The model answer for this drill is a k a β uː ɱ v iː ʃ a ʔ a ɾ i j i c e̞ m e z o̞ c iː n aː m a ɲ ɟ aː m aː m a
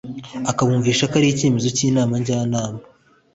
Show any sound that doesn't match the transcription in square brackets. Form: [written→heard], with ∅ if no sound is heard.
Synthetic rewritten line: a k a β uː ɱ v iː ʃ a [ʔ→k] a ɾ i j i c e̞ m e z o̞ c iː n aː m a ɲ ɟ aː [m→n] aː m a